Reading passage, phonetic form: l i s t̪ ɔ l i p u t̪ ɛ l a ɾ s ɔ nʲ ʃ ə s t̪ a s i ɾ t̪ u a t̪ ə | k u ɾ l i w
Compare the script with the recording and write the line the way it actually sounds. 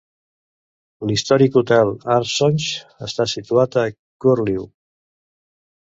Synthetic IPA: l i s t̪ ɔ ɾ i k u t̪ ɛ l a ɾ s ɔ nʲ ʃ ə s t̪ a s i t̪ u a t̪ ə | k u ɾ l i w